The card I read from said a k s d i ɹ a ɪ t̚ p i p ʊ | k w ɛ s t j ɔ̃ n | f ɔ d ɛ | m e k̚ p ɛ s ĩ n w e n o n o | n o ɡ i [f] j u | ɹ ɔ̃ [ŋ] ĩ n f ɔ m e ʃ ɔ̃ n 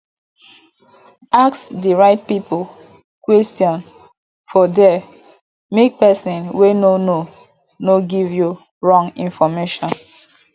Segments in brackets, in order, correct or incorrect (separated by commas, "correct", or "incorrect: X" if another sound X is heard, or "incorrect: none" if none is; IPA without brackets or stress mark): incorrect: v, correct